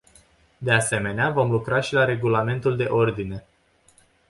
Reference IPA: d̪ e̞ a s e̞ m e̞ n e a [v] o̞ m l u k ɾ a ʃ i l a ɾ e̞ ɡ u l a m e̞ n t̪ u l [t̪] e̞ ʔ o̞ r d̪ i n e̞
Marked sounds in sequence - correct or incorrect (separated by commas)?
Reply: correct, incorrect